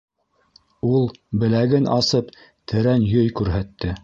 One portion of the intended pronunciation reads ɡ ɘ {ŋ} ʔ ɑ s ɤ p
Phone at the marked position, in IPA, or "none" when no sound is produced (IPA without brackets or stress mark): n